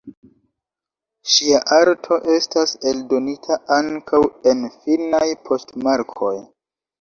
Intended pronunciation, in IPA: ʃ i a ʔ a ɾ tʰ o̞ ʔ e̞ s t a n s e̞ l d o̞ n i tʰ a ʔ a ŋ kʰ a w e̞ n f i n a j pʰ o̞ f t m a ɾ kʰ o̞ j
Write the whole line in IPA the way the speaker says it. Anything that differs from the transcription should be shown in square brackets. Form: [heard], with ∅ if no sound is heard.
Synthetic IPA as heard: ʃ i a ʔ a ɾ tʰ o̞ ʔ e̞ s t a [∅] s e̞ l d o̞ n i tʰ a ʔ a ŋ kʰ a w e̞ n f i n a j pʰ o̞ [s] t m a ɾ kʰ o̞ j